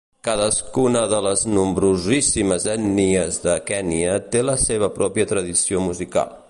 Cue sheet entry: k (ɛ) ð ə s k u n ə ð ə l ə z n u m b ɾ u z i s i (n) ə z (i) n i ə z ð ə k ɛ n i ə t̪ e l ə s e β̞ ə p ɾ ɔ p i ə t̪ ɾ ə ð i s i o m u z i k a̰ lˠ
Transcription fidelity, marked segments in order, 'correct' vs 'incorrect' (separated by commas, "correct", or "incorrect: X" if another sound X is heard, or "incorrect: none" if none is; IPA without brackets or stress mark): incorrect: a, incorrect: m, incorrect: ɛ